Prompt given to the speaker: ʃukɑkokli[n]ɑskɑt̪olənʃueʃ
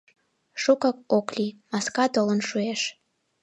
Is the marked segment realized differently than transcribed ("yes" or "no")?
yes